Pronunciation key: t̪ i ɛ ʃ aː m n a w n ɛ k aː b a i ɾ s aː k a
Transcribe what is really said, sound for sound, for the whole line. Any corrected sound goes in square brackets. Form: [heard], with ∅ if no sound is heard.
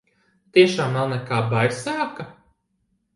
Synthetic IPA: t̪ i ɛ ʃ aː m n a w n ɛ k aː b a [j] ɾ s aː k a